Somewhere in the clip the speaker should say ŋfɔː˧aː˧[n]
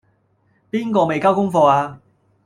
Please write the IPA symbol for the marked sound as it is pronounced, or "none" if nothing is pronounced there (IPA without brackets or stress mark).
none